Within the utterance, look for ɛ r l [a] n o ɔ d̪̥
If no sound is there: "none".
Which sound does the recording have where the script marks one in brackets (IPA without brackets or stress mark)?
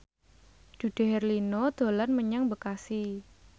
i